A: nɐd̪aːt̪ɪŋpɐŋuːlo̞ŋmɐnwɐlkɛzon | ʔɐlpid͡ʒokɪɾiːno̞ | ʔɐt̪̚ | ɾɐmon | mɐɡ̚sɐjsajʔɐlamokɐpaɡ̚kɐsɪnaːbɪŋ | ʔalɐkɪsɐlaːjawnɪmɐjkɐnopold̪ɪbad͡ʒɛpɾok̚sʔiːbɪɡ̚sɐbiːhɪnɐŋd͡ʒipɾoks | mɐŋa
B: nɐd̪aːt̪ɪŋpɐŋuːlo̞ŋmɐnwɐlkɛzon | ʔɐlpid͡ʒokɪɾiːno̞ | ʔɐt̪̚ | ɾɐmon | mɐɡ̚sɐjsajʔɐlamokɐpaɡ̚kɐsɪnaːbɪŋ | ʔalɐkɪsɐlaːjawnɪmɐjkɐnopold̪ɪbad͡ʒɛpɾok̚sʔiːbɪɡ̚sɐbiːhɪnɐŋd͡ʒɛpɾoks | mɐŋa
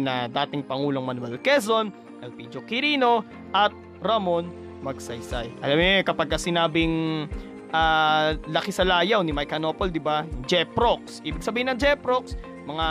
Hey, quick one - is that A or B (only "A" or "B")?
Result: B